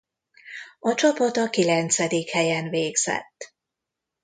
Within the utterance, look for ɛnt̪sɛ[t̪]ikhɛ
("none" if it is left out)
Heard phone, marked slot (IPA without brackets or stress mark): d̪